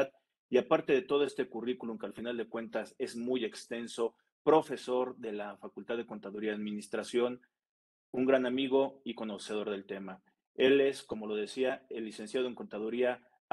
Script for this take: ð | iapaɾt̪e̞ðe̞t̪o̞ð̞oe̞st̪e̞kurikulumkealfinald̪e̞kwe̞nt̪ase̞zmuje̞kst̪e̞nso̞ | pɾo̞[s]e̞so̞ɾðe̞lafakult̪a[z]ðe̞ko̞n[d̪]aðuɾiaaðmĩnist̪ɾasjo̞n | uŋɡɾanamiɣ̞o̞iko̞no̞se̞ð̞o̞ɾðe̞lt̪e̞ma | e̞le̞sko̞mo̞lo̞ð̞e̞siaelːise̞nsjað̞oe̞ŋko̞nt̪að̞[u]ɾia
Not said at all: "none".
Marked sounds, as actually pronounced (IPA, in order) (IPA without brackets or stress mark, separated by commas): f, ð, t̪, u